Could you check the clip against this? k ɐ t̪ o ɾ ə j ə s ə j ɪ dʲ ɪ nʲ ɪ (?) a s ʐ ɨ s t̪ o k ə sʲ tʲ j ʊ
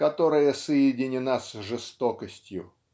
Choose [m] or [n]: n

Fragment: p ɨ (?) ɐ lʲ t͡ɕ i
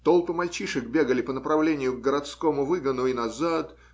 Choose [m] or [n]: m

